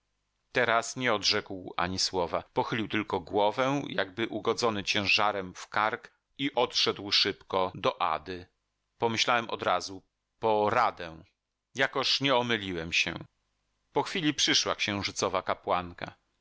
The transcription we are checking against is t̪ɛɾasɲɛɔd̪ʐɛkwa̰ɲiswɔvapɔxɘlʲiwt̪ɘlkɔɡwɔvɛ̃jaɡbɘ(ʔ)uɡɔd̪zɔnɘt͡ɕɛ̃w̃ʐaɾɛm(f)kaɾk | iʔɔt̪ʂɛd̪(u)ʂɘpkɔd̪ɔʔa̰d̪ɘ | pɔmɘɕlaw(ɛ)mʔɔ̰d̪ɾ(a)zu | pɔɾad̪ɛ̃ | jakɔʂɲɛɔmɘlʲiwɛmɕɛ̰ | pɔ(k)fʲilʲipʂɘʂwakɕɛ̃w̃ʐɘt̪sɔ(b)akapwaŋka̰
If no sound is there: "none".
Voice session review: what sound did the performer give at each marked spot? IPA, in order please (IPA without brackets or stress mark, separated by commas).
ʔ, f, w, ɛ, a, x, v